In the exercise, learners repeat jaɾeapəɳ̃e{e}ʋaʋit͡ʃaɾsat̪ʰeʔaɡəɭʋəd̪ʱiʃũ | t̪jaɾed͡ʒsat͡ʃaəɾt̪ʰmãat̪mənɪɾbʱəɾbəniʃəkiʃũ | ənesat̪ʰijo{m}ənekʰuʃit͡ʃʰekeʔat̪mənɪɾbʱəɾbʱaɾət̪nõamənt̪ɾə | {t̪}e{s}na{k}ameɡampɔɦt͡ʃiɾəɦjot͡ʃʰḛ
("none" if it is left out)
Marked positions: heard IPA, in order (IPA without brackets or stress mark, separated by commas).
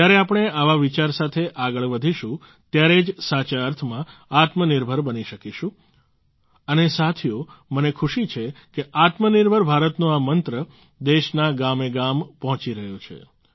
a, m, d̪, ʃ, ɡ